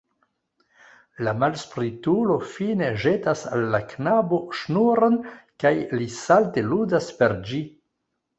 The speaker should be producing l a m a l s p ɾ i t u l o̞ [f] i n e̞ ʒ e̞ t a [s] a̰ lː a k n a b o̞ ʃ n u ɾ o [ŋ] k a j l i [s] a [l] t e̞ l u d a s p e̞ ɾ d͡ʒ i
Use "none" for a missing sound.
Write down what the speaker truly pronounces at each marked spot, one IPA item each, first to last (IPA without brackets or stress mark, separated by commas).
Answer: f, s, n, s, l